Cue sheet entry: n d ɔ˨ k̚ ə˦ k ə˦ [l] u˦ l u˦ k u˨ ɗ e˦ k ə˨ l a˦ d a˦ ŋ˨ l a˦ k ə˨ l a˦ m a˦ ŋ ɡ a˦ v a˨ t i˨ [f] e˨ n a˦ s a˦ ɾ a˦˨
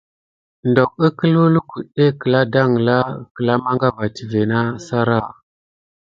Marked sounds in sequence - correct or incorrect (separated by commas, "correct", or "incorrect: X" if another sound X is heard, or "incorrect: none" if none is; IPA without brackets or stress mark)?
correct, incorrect: v